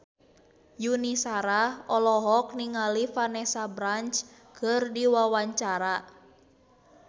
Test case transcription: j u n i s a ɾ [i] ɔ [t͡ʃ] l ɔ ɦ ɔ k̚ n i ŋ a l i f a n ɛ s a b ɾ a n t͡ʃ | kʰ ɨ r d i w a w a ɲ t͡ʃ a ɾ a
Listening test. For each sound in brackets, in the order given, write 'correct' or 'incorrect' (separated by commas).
incorrect, incorrect